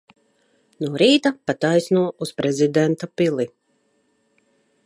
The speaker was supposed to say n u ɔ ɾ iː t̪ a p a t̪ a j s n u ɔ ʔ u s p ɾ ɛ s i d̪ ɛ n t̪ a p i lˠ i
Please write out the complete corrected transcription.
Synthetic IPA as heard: n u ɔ ɾ iː t̪ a p a t̪ a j s n u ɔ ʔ u s p ɾ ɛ z i d̪ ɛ n t̪ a p i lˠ i